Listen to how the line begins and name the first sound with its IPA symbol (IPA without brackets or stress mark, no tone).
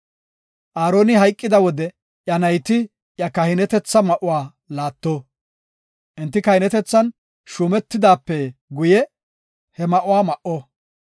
ʔ